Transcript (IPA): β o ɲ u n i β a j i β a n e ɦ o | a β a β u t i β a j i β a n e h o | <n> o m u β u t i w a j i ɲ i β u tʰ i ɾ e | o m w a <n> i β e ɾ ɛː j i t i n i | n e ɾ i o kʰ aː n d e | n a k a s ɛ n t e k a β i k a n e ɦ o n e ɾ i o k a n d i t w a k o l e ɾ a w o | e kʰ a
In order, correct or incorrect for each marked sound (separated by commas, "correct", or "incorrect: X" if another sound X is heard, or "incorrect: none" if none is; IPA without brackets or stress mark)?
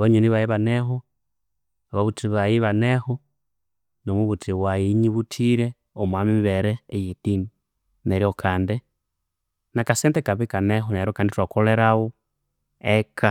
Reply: correct, incorrect: m